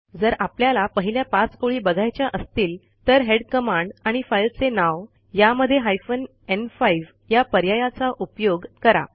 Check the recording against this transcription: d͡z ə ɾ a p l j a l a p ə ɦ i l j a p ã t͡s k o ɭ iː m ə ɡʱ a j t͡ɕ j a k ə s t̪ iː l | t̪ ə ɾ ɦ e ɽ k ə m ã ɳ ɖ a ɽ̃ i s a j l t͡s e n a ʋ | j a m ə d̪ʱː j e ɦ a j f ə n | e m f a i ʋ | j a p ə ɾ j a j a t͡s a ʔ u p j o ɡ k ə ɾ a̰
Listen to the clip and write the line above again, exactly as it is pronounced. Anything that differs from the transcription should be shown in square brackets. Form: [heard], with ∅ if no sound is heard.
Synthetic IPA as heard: d͡z ə ɾ a p l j a l a p ə ɦ i l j a p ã t͡s k o ɭ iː [b] ə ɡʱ a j t͡ɕ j a [ʔ] ə s t̪ iː l | t̪ ə ɾ ɦ e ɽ k ə m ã ɳ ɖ a ɽ̃ i [f] a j l t͡s e n a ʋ | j a m ə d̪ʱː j e ɦ a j f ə n | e [n] f a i ʋ | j a p ə ɾ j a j a t͡s a ʔ u p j o ɡ k ə ɾ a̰